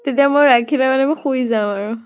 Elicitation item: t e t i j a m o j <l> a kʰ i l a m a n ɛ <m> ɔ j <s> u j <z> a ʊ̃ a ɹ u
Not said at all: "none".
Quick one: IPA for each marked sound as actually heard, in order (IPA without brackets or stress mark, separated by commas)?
ɹ, m, x, z